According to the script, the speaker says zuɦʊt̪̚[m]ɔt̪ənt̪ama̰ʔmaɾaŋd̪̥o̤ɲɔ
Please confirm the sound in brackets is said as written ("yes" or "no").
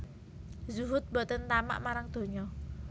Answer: no